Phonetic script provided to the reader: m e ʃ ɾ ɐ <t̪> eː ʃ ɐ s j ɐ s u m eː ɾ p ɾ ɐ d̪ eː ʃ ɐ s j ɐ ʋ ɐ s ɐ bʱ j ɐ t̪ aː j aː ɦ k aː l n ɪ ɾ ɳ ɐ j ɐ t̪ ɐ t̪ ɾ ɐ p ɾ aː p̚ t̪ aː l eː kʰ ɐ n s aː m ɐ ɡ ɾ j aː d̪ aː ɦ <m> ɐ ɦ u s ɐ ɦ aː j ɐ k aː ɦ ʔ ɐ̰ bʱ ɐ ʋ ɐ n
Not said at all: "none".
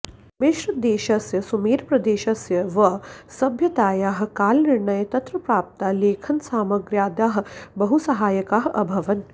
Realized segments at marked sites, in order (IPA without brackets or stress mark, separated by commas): d̪, b